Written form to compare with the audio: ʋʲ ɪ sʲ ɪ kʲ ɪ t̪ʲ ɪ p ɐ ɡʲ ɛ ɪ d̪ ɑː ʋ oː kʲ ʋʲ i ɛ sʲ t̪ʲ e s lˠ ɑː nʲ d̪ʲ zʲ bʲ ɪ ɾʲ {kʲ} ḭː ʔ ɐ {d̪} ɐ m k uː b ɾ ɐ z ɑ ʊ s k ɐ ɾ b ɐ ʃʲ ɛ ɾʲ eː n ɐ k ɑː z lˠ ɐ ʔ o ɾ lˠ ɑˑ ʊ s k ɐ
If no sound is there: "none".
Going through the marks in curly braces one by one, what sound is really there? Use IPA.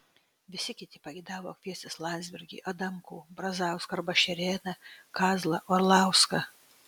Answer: ɡʲ, d̪

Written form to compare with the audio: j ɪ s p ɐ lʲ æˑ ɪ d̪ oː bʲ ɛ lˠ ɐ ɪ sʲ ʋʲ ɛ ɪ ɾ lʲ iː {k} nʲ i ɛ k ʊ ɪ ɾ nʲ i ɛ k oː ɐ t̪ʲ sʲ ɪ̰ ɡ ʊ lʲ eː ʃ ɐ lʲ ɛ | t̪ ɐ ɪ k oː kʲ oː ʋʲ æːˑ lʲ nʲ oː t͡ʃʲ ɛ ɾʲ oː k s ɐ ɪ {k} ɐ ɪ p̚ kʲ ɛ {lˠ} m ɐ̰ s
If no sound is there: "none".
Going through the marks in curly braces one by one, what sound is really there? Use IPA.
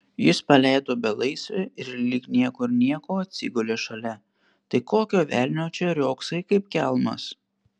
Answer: k, k, lˠ

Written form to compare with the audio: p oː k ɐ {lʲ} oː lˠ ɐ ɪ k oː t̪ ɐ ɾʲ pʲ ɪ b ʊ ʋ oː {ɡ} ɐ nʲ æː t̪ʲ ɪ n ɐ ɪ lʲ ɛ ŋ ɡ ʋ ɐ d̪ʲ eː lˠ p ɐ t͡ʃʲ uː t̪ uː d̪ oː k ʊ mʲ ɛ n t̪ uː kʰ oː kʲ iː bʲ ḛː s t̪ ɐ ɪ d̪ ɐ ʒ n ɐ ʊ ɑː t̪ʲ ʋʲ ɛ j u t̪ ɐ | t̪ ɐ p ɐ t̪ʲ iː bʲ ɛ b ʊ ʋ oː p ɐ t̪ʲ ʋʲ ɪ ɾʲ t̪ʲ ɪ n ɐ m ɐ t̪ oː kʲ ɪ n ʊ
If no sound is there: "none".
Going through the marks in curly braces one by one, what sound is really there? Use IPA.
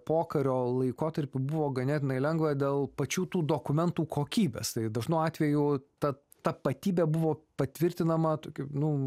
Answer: ɾʲ, ɡ

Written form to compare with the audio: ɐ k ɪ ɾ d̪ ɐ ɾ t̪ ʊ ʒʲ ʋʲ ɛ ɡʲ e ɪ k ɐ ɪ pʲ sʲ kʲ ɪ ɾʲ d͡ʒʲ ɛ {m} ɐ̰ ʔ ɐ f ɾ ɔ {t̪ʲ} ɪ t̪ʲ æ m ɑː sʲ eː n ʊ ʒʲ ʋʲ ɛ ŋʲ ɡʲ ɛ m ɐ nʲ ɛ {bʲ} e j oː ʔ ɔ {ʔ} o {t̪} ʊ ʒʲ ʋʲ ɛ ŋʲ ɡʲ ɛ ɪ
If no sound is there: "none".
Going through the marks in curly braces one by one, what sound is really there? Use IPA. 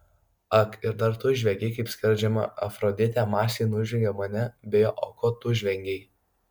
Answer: m, d̪ʲ, bʲ, k, t̪

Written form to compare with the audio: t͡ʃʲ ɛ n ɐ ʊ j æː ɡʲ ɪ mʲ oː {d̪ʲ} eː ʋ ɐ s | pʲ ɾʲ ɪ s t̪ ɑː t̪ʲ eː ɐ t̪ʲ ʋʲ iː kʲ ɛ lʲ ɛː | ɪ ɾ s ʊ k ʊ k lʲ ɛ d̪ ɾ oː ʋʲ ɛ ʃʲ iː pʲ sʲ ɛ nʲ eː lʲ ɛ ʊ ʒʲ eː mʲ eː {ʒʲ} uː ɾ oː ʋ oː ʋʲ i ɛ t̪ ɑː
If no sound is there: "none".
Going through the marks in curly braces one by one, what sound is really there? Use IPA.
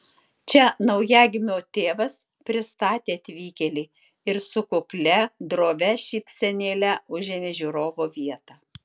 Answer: t̪ʲ, ʒʲ

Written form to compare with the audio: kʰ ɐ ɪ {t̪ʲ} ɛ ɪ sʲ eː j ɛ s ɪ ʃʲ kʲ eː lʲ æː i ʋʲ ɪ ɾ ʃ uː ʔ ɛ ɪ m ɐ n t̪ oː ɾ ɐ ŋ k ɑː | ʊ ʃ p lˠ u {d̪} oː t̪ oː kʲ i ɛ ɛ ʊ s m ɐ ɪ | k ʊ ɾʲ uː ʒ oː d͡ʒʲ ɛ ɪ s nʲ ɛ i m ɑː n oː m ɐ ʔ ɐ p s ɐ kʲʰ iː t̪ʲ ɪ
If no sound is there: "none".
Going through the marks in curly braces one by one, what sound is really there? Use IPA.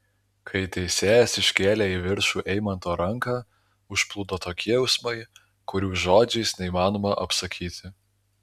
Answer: t̪ʲ, d̪

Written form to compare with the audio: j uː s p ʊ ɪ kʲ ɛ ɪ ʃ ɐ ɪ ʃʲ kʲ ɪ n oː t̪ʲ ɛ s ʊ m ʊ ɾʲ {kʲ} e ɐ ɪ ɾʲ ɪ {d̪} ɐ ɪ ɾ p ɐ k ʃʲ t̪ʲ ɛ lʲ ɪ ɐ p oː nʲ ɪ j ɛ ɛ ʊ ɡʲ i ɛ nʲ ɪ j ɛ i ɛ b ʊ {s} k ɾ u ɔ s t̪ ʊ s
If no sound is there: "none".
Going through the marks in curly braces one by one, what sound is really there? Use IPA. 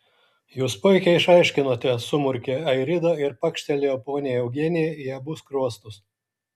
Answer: kʲ, d̪, s

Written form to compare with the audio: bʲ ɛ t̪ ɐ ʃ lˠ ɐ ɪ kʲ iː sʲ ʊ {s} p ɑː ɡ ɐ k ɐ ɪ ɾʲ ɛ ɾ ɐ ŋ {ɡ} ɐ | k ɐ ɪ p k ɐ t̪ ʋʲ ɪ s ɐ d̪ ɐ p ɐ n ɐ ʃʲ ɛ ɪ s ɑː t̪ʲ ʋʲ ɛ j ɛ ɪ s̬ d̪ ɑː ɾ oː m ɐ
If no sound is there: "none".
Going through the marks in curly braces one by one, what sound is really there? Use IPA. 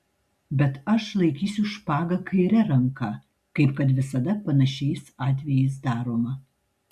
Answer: ʃ, k

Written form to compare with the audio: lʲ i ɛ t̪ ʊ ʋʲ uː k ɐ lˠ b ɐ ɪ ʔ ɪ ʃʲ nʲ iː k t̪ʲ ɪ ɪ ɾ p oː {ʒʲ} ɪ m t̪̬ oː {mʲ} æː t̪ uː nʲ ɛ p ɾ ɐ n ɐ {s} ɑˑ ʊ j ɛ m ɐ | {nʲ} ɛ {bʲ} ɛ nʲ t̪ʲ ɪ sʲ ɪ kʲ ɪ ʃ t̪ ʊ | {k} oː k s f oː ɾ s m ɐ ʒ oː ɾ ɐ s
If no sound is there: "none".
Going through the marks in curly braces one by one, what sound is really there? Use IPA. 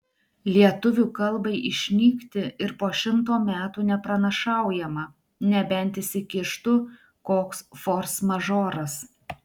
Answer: ʃʲ, mʲ, ʃ, nʲ, bʲ, k

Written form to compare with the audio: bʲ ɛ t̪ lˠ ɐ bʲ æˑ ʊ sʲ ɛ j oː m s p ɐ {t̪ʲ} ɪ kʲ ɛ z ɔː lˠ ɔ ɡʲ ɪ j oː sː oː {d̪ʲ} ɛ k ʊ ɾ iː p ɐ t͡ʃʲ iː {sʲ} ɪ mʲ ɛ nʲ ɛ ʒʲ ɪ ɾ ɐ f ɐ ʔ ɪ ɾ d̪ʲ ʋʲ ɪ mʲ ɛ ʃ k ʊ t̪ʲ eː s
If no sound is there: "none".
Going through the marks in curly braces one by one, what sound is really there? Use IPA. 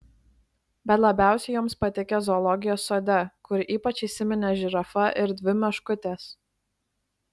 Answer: t̪ʲ, d̪ʲ, sʲ

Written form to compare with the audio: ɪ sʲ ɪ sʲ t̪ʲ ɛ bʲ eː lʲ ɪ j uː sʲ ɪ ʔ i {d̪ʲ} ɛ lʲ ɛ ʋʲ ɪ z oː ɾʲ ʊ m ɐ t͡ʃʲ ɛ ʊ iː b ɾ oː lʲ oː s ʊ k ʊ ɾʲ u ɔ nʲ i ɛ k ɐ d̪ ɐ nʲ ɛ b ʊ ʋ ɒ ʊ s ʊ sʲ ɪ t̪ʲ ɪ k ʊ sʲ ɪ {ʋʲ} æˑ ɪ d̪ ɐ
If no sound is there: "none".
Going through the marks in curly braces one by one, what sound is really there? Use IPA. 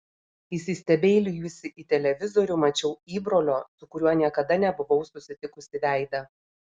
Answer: t̪ʲ, ʋʲ

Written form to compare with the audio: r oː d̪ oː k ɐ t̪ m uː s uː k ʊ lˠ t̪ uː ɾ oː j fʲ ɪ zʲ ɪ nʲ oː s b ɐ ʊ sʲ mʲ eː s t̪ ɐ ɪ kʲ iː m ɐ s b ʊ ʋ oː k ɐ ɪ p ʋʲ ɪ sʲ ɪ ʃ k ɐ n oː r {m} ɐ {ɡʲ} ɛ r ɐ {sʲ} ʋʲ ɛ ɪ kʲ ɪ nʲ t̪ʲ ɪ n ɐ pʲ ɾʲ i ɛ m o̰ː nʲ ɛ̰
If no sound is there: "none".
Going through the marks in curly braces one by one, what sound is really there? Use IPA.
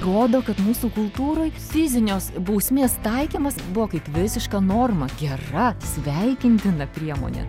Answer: m, ɡʲ, sʲ

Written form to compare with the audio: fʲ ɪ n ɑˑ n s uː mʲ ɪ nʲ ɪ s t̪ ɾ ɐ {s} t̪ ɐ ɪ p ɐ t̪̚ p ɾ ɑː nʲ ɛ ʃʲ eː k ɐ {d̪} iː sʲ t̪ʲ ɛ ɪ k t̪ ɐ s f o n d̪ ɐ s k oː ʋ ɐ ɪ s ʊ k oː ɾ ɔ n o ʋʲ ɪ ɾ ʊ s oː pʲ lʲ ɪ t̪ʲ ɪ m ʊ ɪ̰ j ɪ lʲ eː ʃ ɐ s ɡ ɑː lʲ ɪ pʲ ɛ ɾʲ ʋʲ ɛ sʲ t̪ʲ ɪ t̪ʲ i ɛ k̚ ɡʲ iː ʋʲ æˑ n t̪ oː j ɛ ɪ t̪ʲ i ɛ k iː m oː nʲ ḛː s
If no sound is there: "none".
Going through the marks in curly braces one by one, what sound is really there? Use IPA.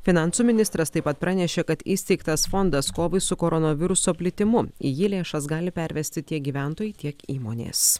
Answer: s, t̪

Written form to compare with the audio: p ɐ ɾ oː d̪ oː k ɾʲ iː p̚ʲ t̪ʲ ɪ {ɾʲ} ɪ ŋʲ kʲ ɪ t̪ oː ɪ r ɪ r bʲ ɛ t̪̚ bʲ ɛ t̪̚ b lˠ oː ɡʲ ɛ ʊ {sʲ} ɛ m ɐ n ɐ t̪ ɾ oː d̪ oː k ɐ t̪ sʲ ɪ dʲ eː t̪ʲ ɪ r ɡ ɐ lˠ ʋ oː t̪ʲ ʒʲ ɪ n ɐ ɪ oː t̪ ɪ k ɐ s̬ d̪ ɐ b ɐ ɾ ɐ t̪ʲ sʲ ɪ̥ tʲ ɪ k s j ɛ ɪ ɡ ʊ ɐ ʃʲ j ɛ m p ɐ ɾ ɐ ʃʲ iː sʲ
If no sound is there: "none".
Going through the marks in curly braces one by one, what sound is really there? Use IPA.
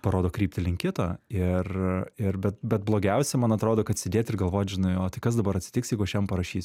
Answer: lʲ, sʲ

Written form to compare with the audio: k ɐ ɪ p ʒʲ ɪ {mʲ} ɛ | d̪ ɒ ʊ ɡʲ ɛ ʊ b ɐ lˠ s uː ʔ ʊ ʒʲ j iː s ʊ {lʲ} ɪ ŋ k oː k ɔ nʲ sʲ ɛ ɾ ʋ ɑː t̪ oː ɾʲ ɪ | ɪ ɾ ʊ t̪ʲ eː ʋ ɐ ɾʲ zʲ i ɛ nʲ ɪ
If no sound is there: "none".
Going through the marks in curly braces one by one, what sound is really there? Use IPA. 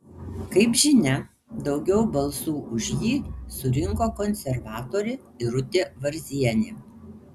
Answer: nʲ, ɾʲ

